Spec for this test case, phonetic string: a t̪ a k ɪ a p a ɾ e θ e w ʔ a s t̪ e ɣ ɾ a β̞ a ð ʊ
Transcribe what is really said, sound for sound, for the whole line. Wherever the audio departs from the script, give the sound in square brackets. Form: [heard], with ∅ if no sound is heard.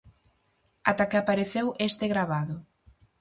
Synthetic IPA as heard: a t̪ a k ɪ a p a ɾ e θ e w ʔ [e] s t̪ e ɣ ɾ a β̞ a ð ʊ